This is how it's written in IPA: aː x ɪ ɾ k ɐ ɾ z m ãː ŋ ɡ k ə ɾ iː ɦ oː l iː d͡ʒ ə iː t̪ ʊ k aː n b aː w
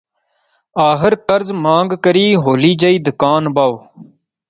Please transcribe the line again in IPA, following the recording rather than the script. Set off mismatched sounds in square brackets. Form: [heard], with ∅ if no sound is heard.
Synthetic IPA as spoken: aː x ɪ ɾ k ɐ ɾ z m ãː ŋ ɡ k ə ɾ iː ɦ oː l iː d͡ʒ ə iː [d̪] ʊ k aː n b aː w